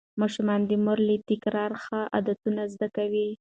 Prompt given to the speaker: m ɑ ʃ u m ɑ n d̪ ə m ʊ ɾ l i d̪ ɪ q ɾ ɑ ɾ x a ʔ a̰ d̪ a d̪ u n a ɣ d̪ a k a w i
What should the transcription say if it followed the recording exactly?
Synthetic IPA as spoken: m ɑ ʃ u m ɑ n d̪ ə m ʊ ɾ l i t̪ ɪ k ɾ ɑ ɾ x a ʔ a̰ d̪ a t̪ u n a z d̪ a k a w i